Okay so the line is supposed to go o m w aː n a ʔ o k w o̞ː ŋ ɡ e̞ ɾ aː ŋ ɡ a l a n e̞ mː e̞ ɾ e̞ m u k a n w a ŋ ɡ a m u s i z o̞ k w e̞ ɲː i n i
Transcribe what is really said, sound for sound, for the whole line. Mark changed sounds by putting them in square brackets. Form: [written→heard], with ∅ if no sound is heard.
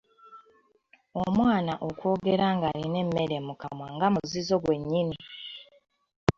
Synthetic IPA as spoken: o m w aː n a ʔ o k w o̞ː [ŋ→∅] ɡ e̞ ɾ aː ŋ ɡ a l [a→i] n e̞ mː e̞ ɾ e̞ m u k a [n→m] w a ŋ ɡ a m u [s→z] i z o̞ [k→ɡ] w e̞ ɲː i n i